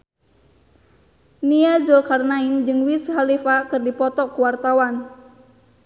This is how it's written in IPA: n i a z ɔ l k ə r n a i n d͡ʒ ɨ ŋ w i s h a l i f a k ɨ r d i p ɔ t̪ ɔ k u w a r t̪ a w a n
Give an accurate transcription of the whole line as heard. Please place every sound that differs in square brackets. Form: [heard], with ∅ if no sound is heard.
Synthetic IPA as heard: n i a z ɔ l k [a] r n a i n d͡ʒ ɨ ŋ w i s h a l i f a k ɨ r d i p ɔ t̪ ɔ k u w a r t̪ a w a n